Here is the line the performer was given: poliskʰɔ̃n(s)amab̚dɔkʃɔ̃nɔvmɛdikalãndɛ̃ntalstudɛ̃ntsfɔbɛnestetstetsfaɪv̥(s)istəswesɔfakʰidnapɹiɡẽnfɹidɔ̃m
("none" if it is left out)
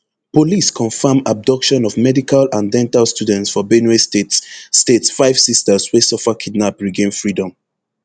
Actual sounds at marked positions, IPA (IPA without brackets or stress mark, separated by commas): f, s